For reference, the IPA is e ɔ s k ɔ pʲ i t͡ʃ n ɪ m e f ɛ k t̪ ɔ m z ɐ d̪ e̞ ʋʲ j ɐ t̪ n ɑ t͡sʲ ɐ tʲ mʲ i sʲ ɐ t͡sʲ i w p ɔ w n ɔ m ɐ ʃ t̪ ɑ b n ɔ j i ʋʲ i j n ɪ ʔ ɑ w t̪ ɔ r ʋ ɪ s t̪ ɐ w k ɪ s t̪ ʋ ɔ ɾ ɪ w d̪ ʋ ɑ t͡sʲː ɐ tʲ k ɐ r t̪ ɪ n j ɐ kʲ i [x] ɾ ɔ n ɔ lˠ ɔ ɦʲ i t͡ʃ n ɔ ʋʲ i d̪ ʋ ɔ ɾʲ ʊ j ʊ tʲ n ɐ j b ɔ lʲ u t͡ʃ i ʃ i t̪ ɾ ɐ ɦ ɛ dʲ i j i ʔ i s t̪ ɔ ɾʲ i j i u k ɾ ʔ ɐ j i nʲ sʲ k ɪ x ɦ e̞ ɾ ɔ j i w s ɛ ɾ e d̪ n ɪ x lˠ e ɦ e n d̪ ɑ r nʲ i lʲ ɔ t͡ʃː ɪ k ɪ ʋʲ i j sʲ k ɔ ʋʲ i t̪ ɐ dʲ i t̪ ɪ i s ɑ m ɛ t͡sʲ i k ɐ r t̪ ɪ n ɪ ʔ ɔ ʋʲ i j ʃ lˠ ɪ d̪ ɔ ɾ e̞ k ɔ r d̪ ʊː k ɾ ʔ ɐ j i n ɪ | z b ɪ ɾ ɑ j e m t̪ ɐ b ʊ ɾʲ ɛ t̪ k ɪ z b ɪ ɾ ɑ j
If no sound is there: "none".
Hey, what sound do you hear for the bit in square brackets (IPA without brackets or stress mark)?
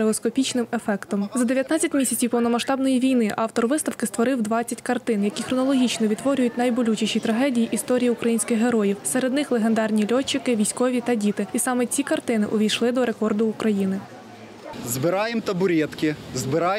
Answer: x